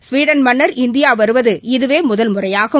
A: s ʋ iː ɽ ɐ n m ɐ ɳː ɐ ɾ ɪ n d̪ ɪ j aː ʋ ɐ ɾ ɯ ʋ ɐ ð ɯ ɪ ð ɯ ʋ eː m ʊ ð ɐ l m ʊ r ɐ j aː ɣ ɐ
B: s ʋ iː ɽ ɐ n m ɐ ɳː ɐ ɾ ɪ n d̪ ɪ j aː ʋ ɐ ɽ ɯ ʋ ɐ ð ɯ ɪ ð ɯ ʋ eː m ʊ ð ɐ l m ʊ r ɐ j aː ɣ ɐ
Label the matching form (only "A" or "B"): A